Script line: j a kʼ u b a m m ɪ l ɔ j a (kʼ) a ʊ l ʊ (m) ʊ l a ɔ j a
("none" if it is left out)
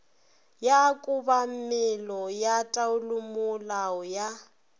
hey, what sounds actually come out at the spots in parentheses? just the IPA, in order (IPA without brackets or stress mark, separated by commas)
tʼ, m